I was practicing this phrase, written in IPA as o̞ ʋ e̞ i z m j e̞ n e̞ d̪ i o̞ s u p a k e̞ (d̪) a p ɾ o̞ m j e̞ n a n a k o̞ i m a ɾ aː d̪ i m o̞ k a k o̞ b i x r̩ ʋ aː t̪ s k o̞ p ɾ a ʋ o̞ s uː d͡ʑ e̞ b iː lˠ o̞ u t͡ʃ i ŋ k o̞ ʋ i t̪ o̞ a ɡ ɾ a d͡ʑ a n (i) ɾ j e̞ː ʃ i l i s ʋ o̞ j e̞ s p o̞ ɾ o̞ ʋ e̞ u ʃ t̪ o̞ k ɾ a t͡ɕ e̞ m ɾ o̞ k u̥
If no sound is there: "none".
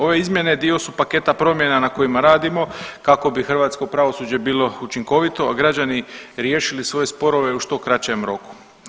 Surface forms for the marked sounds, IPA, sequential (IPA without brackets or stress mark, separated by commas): t̪, i